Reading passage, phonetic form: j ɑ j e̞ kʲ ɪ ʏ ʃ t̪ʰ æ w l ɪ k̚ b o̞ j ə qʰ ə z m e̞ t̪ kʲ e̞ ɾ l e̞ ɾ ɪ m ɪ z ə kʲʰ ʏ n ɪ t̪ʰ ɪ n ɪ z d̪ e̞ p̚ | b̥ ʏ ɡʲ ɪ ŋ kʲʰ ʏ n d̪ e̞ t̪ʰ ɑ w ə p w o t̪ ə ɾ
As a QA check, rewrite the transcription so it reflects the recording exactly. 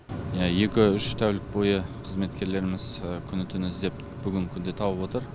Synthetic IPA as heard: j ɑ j e̞ kʲ ɪ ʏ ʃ t̪ʰ æ w l ɪ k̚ b o̞ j ə qʰ ə z m e̞ t̪ kʲ e̞ ɾ l e̞ ɾ ɪ m ɪ z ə kʲʰ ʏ n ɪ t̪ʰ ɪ n ɪ z d̪ e̞ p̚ | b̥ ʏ ɡʲ ɪ ŋ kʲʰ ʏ n d̪ e̞ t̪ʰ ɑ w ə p w o t̪ ə ɾ